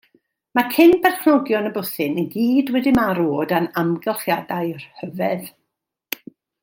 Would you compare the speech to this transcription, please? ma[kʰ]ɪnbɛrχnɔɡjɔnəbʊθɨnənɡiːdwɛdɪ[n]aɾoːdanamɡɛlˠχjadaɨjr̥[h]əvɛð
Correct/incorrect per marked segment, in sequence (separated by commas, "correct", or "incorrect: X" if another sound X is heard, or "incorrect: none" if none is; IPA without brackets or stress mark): correct, incorrect: m, correct